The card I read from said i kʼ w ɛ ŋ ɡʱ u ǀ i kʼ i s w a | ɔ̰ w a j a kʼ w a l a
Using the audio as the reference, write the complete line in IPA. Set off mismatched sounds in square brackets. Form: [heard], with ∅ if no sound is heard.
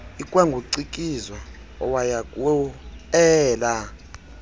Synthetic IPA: i kʼ w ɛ ŋ ɡʱ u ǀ i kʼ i [z] w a | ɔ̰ w a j a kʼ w [ɛ] l a